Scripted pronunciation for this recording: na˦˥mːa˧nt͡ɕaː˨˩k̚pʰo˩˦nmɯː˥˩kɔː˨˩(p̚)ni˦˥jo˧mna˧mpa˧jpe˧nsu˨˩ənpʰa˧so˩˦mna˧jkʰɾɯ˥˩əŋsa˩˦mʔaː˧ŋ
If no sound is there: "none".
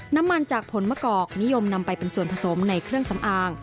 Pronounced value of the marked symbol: k̚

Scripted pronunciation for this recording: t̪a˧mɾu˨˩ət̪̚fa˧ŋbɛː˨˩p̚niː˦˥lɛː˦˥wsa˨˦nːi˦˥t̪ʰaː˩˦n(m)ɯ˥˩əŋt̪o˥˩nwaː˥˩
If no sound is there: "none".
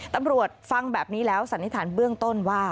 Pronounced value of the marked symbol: b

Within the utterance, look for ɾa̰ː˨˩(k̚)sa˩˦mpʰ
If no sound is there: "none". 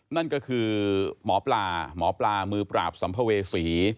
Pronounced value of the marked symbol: p̚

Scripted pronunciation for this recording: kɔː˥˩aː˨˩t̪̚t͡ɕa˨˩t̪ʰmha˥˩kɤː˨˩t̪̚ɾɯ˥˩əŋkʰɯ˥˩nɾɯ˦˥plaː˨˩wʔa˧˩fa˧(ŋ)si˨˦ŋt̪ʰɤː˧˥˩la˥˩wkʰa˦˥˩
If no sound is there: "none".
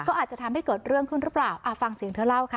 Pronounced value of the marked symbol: ŋ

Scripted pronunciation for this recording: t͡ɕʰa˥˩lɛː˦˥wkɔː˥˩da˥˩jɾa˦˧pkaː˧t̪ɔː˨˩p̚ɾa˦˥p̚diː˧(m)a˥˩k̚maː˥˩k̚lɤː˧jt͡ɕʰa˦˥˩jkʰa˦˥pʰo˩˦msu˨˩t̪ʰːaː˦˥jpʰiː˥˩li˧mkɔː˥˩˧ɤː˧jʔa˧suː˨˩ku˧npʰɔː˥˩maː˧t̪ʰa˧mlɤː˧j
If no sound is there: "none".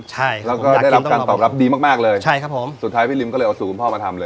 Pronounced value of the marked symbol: m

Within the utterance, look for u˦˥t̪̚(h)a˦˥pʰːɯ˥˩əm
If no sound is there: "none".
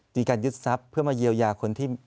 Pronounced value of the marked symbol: s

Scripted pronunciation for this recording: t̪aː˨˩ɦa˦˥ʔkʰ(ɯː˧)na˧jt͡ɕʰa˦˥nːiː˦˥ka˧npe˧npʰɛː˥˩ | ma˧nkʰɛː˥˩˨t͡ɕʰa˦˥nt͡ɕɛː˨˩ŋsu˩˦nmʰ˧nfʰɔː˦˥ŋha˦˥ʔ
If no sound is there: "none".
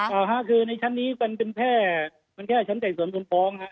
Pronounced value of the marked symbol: ɯː˧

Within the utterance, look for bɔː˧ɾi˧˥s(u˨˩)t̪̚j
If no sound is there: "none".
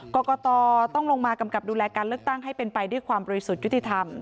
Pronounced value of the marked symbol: u˨˩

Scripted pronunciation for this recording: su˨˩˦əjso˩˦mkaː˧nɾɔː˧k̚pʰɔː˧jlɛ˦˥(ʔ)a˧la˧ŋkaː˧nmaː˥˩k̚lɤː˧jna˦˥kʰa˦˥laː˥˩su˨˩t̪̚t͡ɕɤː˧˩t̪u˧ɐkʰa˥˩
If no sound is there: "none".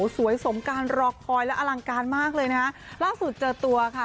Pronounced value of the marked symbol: ʔ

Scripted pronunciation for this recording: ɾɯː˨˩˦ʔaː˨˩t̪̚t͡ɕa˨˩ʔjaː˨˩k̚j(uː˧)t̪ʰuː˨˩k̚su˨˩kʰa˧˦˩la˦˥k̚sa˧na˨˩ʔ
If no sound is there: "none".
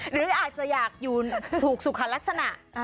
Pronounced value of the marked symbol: uː˨˩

